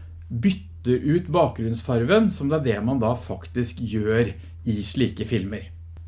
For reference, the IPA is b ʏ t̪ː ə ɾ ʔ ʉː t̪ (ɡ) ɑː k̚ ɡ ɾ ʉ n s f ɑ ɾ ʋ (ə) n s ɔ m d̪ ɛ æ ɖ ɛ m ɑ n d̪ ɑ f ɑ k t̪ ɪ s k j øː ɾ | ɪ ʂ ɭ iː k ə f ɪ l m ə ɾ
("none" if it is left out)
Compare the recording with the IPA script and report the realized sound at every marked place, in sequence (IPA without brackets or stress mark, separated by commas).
b, ə